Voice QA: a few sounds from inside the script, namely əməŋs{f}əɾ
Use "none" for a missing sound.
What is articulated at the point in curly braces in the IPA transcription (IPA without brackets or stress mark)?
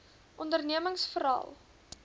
f